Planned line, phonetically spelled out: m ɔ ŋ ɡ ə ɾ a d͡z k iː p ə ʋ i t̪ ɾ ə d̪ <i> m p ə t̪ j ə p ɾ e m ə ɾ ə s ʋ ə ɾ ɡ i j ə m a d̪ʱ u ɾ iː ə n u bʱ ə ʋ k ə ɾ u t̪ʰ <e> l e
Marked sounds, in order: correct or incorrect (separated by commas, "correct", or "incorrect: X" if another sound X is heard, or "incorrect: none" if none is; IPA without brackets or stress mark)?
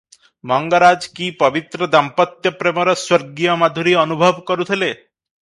incorrect: a, correct